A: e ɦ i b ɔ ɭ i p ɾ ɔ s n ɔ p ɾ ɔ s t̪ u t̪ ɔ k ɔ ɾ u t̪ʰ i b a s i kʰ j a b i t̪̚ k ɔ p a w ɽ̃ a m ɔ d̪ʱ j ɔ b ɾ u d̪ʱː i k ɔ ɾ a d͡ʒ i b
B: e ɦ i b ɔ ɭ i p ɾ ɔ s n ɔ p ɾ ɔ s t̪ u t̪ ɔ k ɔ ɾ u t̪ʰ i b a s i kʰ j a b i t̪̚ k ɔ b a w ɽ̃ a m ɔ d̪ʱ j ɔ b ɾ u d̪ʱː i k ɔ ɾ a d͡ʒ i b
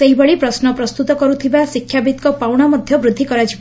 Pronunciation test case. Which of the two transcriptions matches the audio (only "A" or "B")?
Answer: A